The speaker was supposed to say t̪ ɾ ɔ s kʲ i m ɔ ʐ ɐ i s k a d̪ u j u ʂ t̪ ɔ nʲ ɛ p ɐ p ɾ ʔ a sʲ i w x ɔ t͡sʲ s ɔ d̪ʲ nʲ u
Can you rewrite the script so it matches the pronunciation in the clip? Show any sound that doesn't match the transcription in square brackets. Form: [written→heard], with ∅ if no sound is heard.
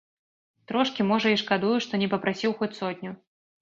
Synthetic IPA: t̪ ɾ ɔ [s→ʂ] kʲ i m ɔ ʐ ɐ i [s→ʂ] k a d̪ u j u ʂ t̪ ɔ nʲ ɛ p ɐ p ɾ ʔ a sʲ i w x ɔ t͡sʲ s ɔ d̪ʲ nʲ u